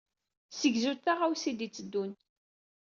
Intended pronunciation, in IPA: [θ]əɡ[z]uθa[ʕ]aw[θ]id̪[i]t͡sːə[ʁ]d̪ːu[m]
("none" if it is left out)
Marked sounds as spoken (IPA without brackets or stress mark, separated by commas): s, z, ʁ, s, i, none, n